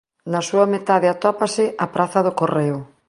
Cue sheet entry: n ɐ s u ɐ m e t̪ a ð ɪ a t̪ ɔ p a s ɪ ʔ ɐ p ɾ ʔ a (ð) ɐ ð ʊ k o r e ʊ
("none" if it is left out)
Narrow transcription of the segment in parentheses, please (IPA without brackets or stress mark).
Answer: θ